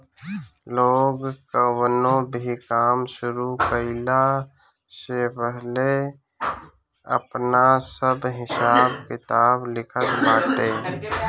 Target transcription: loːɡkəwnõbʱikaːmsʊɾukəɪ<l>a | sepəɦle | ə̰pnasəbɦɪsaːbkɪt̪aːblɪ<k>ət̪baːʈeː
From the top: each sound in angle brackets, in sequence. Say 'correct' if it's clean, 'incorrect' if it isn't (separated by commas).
correct, incorrect